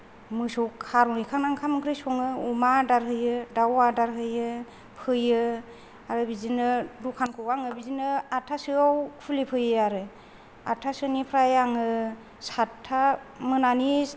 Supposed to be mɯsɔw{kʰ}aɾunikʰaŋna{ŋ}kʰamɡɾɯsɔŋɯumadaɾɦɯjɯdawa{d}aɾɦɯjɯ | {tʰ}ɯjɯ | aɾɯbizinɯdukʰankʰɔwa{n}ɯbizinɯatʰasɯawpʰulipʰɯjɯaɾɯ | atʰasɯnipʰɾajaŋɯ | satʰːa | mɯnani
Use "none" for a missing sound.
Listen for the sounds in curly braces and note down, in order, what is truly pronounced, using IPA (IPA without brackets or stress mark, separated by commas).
kʰ, ŋ, d, pʰ, ŋ